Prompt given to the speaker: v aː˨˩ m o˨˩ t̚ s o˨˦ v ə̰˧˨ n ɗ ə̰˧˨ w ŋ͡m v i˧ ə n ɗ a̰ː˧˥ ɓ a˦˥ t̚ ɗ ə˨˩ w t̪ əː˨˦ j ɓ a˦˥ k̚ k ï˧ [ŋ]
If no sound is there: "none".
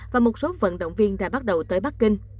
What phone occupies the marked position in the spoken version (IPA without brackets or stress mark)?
ŋ